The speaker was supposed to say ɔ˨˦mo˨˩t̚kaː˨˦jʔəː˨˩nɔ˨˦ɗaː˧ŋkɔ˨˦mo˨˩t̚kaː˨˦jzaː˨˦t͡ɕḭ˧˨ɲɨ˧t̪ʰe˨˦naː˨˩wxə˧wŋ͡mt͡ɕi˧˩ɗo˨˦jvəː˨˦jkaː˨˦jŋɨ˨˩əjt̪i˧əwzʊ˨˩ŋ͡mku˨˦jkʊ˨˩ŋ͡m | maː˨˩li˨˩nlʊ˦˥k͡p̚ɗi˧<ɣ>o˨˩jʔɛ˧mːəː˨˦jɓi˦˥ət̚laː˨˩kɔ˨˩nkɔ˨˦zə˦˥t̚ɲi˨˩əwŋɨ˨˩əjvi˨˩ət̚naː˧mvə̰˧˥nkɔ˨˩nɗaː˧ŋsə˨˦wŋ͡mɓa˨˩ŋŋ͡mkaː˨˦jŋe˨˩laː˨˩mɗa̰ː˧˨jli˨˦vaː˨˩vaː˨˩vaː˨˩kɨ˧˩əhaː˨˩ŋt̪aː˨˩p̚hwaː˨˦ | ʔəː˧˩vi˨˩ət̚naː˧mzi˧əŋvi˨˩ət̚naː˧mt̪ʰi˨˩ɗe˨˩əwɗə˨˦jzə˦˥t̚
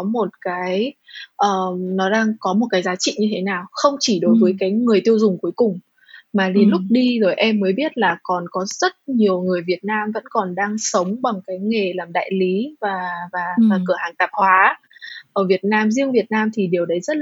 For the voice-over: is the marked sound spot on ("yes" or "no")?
no